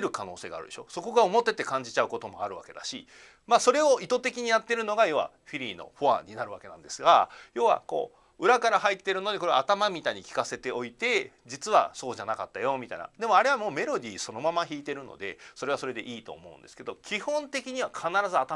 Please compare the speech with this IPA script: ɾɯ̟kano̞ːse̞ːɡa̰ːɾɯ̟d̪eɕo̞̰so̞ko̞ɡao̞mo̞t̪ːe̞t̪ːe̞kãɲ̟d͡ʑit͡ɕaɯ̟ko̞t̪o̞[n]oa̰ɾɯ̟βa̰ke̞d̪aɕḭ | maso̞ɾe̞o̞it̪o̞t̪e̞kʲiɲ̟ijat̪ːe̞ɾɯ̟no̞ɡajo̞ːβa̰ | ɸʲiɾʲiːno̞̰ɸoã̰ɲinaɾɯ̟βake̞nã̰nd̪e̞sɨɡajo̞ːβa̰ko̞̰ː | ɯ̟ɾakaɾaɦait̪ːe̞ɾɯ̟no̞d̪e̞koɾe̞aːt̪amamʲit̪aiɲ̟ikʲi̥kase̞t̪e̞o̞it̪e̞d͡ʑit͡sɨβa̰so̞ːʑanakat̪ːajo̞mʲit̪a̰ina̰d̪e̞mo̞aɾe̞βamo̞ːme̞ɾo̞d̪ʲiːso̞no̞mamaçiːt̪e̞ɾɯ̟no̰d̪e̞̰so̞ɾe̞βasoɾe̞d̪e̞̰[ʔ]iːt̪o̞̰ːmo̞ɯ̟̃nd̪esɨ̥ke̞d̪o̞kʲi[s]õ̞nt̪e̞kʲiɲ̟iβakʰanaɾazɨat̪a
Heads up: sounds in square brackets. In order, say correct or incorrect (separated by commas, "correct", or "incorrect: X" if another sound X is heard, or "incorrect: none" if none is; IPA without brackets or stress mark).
incorrect: m, correct, incorrect: h